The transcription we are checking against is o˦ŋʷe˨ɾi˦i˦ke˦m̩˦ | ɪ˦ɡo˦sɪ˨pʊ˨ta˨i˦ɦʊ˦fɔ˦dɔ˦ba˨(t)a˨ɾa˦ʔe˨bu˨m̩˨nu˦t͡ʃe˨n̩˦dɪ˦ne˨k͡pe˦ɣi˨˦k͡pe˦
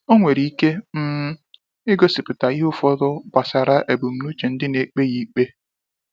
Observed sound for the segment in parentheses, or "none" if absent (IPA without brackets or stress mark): s